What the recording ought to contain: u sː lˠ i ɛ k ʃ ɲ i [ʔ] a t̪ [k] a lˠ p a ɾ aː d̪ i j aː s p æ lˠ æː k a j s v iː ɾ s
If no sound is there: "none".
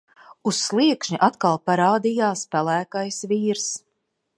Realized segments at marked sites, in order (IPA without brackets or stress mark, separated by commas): ʔ, k